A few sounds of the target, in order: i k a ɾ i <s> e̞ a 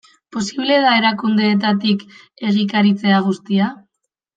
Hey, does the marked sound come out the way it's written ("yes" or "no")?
no